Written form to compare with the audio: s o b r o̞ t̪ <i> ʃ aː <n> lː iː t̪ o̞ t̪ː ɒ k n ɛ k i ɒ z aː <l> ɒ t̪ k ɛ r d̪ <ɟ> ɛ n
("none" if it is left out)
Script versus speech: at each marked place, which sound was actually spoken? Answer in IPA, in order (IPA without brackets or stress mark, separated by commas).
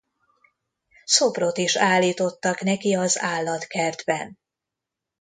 i, none, lː, b